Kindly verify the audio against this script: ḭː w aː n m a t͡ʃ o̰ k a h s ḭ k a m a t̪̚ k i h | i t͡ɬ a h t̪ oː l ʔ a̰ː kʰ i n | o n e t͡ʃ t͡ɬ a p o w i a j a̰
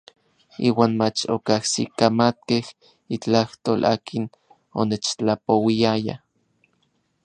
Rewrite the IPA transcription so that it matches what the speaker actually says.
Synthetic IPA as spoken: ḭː w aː n m a t͡ʃ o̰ k a h s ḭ k a m a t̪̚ k e h | i t͡ɬ a h t̪ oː l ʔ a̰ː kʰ i n | o n e t͡ʃ t͡ɬ a p o w i a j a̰